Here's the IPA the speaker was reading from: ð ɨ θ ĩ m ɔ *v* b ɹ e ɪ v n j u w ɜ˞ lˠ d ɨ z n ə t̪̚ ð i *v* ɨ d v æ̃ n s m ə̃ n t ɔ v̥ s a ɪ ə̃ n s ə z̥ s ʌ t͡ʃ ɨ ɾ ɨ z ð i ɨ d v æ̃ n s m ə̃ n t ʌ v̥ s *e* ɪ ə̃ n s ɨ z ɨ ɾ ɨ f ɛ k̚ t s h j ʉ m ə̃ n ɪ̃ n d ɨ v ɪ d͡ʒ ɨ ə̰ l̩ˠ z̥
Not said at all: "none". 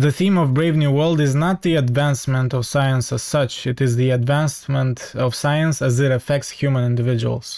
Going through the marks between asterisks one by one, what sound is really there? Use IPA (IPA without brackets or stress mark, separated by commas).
v, none, a